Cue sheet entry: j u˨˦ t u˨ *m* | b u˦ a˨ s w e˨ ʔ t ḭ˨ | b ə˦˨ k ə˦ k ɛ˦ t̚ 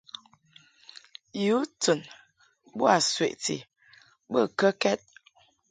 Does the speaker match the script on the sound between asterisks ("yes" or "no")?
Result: no